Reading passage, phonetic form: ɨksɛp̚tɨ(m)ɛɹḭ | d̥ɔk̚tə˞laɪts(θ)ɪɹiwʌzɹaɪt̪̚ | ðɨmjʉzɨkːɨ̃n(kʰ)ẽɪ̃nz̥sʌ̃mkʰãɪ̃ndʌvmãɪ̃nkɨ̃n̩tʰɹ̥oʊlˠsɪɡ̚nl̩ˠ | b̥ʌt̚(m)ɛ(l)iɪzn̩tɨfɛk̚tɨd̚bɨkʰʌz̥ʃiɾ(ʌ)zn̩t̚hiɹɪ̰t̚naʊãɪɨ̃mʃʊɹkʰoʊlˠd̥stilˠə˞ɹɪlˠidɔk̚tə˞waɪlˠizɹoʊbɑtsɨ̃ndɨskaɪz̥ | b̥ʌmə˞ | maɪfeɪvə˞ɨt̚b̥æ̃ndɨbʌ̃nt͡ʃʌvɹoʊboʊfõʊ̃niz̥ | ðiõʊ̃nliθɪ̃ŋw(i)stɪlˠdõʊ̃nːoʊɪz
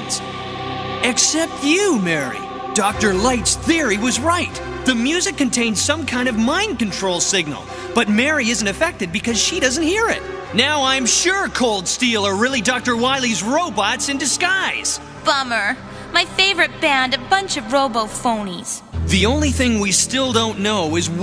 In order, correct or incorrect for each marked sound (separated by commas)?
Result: correct, correct, incorrect, correct, incorrect, correct, correct